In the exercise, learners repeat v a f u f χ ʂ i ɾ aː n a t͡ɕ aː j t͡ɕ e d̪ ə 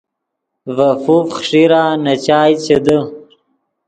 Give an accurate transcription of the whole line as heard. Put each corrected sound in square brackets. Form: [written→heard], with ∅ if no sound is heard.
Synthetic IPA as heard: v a f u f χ ʂ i ɾ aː n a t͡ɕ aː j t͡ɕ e d̪ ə